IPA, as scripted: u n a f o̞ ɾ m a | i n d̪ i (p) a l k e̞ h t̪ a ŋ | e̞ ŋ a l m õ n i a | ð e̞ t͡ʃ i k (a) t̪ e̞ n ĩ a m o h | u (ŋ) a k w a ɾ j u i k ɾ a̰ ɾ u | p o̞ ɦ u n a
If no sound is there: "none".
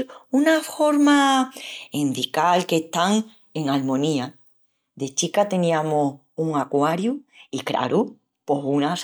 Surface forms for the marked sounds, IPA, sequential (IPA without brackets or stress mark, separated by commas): k, a, ŋ